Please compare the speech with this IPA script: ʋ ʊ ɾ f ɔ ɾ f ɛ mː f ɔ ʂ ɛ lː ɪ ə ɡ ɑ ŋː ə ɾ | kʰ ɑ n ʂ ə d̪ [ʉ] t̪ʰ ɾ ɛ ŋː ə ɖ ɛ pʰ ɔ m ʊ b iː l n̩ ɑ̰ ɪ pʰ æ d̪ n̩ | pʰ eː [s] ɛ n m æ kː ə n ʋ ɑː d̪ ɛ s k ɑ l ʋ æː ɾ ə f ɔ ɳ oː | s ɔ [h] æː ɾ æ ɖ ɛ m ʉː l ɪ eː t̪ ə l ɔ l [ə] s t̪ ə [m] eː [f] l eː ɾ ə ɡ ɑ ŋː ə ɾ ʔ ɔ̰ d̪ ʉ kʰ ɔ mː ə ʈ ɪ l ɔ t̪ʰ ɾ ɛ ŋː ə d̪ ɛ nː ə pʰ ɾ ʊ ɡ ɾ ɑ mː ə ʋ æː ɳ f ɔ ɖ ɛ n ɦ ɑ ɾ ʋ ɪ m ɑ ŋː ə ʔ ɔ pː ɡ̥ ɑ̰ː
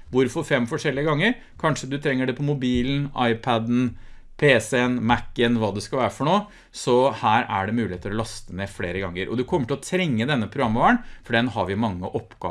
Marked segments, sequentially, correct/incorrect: correct, correct, correct, incorrect: ɑ, incorrect: n, correct

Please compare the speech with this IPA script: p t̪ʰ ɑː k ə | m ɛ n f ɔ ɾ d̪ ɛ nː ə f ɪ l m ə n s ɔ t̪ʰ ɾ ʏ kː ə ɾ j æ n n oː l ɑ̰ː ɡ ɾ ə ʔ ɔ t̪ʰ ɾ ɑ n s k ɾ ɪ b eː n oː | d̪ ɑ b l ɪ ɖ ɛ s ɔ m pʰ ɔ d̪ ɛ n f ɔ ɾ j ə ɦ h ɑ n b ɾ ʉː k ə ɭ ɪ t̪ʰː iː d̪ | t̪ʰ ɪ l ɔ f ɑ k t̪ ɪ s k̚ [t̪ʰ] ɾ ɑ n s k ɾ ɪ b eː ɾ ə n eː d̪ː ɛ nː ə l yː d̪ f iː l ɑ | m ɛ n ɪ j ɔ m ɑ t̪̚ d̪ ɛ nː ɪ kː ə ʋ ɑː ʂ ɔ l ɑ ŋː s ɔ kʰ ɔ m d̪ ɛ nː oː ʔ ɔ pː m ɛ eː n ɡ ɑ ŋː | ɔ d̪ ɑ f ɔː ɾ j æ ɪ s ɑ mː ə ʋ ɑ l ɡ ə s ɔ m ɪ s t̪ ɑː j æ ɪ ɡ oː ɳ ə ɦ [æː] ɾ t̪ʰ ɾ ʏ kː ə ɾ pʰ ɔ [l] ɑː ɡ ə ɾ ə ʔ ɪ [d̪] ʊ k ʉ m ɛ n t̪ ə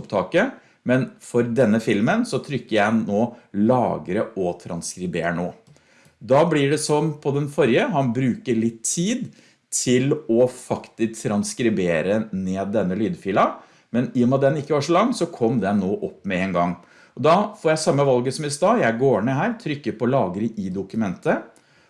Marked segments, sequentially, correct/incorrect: correct, correct, correct, correct

